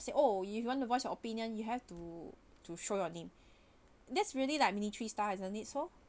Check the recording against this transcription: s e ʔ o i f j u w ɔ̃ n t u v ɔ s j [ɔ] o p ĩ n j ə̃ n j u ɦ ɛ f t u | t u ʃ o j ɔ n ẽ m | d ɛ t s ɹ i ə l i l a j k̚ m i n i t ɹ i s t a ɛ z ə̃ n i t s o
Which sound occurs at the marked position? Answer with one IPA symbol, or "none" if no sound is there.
ɔ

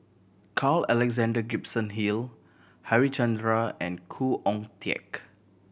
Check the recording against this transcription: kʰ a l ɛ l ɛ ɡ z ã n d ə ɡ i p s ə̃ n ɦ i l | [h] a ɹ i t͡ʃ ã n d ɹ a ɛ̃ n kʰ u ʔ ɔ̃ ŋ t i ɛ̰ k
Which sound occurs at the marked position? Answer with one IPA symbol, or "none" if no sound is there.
h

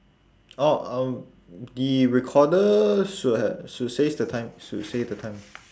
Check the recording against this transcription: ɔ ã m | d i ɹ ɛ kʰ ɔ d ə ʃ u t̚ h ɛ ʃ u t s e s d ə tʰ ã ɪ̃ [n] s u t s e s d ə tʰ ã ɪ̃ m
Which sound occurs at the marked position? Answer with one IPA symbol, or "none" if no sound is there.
m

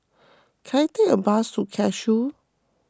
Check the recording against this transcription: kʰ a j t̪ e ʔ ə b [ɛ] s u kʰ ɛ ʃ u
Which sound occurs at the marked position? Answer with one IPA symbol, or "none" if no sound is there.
a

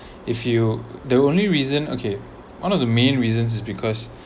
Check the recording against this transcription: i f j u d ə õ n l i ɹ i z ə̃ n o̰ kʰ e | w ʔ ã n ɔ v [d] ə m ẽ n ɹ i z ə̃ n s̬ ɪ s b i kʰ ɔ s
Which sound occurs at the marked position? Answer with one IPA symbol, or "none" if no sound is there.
d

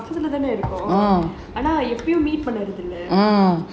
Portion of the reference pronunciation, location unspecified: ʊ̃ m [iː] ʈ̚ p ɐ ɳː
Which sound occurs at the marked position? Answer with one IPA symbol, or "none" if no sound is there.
iː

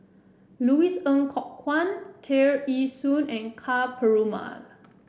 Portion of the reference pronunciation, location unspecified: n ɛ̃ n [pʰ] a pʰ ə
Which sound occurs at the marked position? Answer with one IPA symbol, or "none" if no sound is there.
kʰ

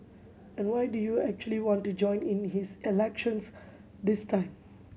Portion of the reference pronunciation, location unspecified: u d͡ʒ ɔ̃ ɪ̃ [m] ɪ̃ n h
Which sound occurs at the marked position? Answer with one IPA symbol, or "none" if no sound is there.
n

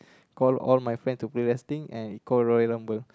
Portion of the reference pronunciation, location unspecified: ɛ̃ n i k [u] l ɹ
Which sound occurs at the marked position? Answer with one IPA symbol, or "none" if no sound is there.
ɔ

